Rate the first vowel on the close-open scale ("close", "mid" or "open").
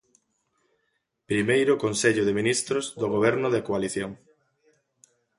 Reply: close